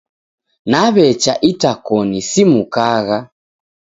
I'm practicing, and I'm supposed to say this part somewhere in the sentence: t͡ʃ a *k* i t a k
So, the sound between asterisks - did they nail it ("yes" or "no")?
no